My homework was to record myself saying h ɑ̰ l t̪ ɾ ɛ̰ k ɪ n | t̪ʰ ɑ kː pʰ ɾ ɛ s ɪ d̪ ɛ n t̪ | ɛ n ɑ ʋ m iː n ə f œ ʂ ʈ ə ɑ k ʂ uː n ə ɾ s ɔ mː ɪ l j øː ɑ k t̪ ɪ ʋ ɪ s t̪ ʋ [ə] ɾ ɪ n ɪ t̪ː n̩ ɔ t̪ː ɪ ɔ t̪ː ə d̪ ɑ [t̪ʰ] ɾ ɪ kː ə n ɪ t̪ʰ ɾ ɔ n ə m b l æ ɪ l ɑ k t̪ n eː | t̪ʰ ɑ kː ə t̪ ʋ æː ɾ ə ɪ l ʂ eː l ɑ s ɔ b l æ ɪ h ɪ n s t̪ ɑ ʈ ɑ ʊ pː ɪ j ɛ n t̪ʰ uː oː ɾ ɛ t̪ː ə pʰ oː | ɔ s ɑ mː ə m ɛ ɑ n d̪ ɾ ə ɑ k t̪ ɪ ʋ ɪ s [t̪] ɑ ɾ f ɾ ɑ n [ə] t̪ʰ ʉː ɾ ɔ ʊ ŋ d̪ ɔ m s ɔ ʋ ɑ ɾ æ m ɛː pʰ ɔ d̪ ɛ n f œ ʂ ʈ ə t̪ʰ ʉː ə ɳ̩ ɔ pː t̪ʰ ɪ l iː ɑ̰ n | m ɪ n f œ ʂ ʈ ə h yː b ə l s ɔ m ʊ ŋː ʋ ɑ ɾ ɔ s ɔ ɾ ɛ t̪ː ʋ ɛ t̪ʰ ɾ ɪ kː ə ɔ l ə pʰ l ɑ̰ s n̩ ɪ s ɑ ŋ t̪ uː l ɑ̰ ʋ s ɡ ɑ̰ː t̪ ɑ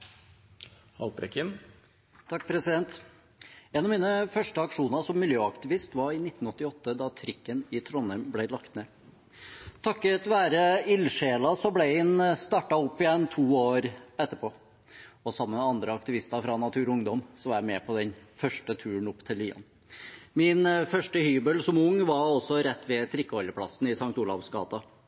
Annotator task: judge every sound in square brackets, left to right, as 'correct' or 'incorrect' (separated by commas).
incorrect, correct, correct, incorrect